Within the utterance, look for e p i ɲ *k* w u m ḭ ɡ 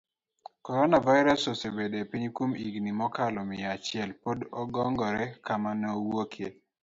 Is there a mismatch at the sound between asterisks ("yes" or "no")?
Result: no